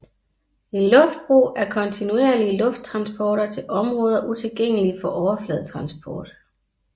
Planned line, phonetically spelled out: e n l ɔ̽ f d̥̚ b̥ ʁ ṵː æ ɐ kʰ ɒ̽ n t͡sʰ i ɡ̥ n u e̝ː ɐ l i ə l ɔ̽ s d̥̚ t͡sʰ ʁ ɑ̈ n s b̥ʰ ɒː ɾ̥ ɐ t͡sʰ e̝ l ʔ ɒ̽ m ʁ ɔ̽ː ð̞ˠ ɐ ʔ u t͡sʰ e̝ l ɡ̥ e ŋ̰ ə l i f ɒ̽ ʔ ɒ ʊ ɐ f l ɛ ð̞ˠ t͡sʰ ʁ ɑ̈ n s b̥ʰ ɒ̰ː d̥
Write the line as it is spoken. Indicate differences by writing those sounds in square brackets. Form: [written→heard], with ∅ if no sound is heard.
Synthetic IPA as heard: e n l ɔ̽ f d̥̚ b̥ ʁ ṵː æ ɐ kʰ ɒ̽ n t͡sʰ i [ɡ̥→∅] n u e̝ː ɐ l i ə l ɔ̽ [s→f] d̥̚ t͡sʰ ʁ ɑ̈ n s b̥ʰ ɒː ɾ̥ ɐ t͡sʰ e̝ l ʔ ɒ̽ m ʁ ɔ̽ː ð̞ˠ ɐ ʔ u t͡sʰ e̝ l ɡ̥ e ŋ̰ ə l i f ɒ̽ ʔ ɒ ʊ ɐ f l ɛ ð̞ˠ t͡sʰ ʁ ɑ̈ n s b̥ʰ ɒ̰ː d̥